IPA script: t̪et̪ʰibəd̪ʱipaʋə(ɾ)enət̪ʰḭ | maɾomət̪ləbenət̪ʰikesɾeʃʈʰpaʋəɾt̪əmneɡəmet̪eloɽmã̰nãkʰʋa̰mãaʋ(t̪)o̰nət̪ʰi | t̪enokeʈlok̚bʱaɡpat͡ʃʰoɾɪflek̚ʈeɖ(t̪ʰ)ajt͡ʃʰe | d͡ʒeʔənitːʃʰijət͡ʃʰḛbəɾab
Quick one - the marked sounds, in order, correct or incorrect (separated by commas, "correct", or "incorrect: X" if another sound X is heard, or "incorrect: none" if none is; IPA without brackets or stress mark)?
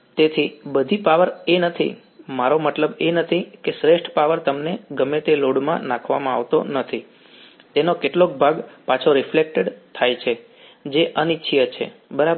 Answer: correct, correct, correct